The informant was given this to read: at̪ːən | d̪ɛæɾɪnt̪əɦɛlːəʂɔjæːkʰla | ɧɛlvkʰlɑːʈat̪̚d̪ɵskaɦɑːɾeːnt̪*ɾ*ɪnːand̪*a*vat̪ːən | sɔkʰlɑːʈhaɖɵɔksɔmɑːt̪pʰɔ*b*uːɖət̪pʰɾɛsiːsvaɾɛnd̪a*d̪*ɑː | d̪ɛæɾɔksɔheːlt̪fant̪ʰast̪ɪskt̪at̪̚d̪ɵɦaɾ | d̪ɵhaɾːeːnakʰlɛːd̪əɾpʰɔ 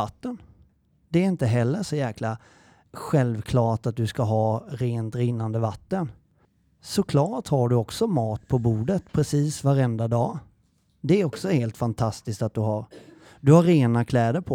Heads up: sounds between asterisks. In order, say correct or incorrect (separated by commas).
correct, incorrect, correct, correct